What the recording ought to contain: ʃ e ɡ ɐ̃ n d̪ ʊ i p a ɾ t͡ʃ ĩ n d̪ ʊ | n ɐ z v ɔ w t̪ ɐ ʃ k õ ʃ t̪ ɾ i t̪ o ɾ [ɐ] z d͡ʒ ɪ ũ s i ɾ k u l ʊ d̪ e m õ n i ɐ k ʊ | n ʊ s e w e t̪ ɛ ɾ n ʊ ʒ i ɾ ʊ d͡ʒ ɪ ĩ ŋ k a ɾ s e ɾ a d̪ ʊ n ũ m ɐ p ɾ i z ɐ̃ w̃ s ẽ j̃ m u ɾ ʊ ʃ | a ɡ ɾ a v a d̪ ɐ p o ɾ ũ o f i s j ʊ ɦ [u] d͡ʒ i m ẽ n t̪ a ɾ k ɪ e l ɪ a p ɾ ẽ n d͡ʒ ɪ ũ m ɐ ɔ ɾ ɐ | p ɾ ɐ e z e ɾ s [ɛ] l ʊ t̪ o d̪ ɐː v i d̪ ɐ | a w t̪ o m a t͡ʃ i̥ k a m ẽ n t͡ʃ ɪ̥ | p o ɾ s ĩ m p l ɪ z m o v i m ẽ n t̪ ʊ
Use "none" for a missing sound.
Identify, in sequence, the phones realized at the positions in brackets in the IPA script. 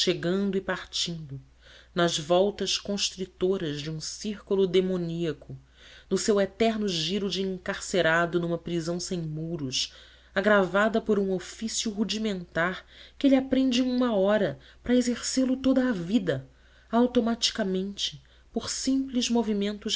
ɐ, u, e

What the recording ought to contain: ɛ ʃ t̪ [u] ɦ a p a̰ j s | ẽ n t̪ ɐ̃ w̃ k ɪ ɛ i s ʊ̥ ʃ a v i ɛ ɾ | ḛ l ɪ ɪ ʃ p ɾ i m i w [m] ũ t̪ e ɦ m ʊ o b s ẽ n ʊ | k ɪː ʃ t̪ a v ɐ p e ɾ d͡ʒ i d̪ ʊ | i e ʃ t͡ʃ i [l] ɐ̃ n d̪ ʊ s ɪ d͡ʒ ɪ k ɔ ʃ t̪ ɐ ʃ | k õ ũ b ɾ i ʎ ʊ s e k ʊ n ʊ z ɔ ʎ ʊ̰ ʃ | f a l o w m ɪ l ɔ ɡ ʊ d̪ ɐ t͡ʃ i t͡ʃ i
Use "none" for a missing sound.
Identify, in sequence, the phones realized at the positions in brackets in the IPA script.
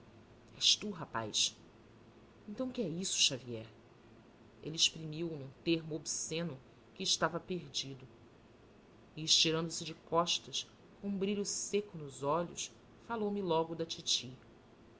u, n, ɾ

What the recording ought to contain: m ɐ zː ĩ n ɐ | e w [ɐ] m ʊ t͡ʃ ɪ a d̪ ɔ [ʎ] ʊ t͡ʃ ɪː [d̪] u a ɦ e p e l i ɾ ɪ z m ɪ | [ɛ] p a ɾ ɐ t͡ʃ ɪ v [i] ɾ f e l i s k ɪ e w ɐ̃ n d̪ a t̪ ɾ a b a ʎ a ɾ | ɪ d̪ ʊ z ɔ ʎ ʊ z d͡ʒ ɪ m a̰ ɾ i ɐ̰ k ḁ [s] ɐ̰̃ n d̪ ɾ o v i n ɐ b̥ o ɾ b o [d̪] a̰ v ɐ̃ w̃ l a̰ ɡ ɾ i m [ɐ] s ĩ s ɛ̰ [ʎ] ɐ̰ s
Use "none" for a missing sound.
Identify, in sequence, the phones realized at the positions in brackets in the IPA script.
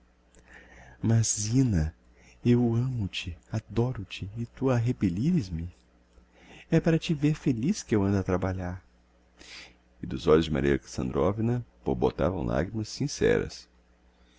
ɐ̃, ɾ, t̪, ɛ, e, s, t̪, ɐ, ɾ

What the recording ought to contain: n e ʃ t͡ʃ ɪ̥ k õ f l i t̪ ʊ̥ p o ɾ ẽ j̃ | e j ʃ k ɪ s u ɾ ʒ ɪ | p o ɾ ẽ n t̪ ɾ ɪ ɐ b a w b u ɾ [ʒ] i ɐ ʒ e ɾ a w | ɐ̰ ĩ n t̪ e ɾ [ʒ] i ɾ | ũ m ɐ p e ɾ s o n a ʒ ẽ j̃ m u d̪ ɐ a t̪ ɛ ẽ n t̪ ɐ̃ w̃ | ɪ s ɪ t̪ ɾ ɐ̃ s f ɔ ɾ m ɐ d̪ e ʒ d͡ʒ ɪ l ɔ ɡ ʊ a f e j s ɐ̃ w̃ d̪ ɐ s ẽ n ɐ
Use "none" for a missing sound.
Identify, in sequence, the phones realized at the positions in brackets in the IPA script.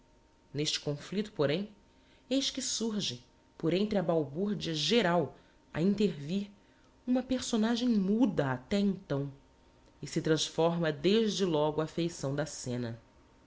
d͡ʒ, v

